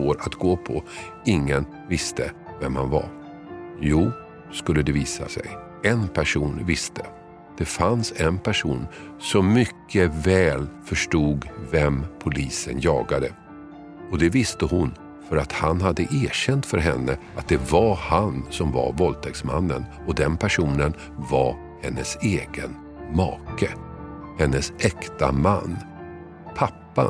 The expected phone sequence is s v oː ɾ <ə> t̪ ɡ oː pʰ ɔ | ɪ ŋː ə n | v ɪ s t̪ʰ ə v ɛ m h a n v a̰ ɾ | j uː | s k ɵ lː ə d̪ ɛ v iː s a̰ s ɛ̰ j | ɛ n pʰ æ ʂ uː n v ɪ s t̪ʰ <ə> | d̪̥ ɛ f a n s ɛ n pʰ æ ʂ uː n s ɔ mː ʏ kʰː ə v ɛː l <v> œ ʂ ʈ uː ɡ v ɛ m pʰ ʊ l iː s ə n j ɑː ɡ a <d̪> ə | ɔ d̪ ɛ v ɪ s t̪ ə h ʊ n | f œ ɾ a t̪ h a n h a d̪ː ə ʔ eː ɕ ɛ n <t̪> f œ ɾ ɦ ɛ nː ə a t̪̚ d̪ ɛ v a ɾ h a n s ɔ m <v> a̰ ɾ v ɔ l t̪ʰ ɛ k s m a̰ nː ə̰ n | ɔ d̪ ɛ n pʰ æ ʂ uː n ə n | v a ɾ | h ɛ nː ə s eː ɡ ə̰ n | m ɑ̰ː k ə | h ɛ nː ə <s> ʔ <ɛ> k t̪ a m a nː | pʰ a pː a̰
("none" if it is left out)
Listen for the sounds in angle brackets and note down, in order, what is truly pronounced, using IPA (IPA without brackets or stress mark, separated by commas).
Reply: a, ə, f, d̪, t̪, v, s, ɛ